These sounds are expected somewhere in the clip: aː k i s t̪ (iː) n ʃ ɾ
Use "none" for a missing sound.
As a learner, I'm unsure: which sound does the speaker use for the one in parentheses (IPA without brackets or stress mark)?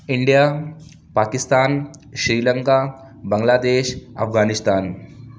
aː